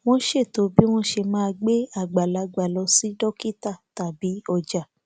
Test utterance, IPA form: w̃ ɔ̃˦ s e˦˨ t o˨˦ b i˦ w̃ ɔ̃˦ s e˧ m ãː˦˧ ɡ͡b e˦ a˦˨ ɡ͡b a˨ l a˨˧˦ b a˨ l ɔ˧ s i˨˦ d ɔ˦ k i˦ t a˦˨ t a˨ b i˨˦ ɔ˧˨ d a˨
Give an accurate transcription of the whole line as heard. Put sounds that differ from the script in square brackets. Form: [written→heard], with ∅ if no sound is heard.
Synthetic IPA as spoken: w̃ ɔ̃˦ [s→ʃ] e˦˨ t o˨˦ b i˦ w̃ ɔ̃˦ [s→ʃ] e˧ m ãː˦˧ ɡ͡b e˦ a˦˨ ɡ͡b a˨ l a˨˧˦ [b→ɡ͡b] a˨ l ɔ˧ s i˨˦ d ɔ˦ k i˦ t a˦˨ t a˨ b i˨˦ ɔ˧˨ [d→d͡ʒ] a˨

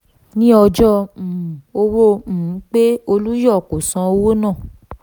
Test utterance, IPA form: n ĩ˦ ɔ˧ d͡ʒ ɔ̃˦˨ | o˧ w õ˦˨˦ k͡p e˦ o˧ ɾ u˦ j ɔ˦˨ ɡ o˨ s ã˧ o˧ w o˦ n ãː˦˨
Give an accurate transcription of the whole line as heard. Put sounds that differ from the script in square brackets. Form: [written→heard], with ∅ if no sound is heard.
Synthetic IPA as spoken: n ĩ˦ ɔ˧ d͡ʒ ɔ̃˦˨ | o˧ w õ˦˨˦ k͡p e˦ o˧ [ɾ→l] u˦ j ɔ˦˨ [ɡ→k] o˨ s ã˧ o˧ w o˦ n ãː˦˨

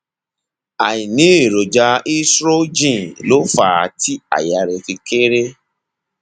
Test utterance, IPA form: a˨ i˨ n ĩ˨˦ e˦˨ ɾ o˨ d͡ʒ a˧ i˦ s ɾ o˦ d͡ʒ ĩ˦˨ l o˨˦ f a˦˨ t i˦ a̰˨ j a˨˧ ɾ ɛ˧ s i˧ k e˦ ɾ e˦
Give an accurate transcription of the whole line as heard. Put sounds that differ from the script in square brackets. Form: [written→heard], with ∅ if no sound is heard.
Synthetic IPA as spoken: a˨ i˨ n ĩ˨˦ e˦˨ ɾ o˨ d͡ʒ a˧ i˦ s ɾ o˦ d͡ʒ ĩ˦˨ l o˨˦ f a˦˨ t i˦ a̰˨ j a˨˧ ɾ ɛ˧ [s→f] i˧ k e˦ ɾ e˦

